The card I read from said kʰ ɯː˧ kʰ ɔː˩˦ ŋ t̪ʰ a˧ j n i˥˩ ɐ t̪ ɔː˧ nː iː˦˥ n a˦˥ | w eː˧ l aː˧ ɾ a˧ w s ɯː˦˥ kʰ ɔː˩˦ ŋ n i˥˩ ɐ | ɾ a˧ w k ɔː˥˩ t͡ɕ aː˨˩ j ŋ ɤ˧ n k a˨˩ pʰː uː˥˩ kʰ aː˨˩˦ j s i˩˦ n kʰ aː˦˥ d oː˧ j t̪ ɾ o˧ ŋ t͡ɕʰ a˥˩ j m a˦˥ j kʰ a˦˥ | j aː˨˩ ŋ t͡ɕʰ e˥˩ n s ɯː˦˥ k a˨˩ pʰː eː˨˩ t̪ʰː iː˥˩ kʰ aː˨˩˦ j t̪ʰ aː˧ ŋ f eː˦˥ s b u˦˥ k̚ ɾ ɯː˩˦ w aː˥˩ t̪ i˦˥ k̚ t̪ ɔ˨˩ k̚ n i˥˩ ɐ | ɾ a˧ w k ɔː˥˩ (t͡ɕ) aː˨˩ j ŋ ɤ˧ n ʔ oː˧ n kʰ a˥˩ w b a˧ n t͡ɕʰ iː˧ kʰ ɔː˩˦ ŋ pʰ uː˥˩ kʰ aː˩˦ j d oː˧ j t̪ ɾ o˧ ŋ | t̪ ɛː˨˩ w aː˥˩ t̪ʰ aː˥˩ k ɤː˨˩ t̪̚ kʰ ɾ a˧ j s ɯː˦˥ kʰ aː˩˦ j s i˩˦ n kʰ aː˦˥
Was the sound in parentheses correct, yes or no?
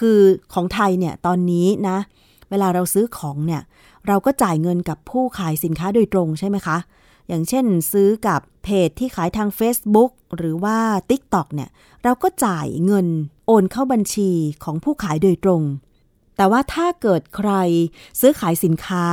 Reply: yes